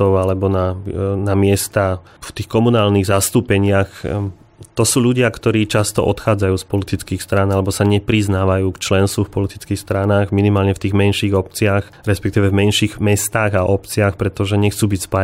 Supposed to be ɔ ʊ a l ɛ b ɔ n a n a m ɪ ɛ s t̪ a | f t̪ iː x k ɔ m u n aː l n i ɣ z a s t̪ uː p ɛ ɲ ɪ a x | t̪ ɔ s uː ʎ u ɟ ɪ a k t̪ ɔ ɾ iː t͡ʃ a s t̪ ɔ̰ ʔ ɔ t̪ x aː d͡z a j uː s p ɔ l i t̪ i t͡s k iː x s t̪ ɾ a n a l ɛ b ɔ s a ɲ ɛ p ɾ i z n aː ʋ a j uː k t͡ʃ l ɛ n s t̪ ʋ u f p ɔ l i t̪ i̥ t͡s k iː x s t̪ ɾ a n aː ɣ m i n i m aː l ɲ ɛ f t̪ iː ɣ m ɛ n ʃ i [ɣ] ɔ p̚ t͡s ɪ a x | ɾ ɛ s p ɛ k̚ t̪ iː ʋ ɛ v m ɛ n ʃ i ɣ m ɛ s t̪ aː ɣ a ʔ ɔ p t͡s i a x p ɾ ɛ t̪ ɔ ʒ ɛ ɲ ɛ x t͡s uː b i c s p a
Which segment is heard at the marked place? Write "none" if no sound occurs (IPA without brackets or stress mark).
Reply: ɣ